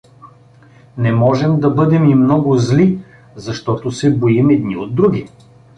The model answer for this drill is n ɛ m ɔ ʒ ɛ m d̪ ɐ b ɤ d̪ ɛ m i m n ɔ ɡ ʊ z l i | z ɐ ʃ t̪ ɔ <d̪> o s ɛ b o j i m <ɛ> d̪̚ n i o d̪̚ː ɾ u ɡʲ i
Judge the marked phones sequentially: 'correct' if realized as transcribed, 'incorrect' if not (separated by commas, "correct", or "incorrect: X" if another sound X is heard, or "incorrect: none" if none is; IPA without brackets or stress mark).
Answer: incorrect: t̪, correct